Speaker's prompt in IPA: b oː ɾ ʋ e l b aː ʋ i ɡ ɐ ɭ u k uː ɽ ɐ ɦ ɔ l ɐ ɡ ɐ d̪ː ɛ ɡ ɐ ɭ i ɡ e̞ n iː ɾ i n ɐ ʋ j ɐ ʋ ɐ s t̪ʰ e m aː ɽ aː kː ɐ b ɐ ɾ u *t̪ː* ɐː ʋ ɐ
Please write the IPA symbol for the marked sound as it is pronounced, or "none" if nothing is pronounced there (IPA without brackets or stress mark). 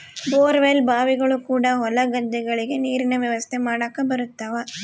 t̪ː